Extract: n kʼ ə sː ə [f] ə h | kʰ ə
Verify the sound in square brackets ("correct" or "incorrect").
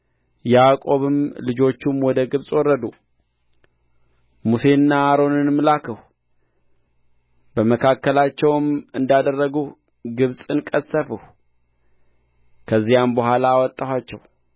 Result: correct